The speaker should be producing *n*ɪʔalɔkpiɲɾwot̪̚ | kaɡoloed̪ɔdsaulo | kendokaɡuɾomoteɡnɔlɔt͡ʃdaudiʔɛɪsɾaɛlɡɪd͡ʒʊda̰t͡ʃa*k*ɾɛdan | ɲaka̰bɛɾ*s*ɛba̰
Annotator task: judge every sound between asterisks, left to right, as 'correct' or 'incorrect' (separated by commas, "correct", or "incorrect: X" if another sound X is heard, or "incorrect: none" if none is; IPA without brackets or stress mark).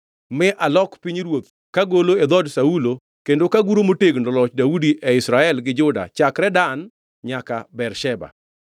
incorrect: m, correct, incorrect: ʃ